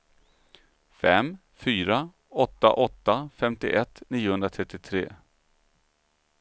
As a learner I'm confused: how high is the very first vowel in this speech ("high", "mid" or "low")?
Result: mid